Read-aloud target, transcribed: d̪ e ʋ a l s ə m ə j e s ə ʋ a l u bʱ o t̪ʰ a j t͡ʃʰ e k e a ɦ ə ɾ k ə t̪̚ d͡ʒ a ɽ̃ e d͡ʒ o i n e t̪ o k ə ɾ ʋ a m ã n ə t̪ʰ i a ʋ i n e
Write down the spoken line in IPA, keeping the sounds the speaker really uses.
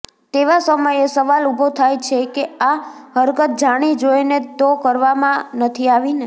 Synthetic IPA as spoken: t̪ e ʋ a s ə m ə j e s ə ʋ a l u bʱ o t̪ʰ a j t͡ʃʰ e k e a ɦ ə ɾ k ə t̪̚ d͡ʒ a ɽ̃ i d͡ʒ o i n e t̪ o k ə ɾ ʋ a m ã n ə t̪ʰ i a ʋ i n e